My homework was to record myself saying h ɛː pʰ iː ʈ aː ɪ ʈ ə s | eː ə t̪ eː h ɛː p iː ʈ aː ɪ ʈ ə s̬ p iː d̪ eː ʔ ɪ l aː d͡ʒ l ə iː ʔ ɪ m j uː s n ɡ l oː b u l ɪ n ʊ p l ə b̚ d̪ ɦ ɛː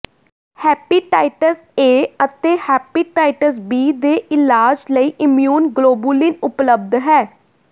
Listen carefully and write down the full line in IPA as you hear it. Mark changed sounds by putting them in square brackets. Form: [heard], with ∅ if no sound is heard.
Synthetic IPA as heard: h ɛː [p] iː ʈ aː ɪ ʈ ə s | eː ə t̪ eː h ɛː p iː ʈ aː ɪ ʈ ə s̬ [b] iː d̪ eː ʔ ɪ l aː d͡ʒ l ə iː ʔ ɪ m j uː [∅] n ɡ l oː b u l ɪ n ʊ p l ə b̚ d̪ ɦ ɛː